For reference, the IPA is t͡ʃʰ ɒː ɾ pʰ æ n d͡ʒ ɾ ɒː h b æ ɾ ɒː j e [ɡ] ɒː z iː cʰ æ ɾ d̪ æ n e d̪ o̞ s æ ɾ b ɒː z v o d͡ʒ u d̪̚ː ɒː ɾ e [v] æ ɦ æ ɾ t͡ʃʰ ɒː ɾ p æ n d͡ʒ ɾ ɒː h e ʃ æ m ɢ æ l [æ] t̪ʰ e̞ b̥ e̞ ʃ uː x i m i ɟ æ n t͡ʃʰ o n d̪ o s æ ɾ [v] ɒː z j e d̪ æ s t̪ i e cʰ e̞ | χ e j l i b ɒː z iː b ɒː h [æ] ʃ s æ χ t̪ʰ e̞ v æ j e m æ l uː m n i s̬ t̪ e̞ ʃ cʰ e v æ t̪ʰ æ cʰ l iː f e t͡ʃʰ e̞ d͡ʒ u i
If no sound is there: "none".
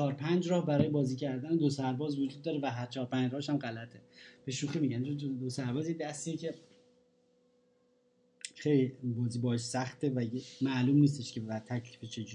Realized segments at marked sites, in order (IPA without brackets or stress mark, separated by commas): b, v, æ, b, e